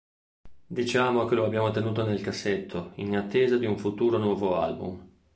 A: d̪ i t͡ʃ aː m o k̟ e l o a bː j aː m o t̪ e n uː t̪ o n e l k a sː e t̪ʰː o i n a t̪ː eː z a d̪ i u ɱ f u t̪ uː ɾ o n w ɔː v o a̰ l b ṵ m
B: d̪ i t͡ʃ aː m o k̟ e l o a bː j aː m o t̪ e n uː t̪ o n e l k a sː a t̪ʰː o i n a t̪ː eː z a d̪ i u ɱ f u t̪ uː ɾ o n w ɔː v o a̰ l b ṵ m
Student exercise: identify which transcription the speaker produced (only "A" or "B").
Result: A